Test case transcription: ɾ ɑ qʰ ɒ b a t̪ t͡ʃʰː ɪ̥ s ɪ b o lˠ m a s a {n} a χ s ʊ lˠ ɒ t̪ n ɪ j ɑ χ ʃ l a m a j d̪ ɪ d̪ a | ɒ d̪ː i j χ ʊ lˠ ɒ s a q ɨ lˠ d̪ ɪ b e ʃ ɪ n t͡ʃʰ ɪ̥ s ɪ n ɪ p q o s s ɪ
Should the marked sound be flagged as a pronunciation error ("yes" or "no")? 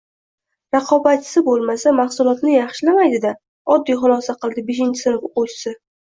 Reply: yes